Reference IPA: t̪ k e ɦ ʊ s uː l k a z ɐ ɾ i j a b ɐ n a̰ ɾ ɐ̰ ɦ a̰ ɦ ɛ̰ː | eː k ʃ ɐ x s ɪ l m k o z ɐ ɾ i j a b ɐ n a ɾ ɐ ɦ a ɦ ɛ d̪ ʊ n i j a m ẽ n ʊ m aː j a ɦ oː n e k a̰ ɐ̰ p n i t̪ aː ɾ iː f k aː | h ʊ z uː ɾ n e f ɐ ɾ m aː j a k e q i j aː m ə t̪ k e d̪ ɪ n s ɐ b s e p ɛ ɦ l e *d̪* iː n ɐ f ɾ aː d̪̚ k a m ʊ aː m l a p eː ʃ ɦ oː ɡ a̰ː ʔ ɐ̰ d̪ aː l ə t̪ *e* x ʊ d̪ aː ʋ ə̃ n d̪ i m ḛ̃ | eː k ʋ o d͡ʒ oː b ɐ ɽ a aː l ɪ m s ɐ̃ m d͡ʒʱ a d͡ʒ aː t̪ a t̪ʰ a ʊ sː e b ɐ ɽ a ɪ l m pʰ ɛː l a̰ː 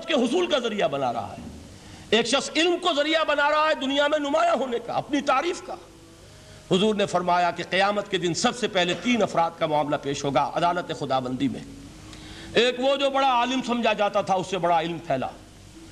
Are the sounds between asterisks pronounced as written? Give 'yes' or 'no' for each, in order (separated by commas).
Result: no, yes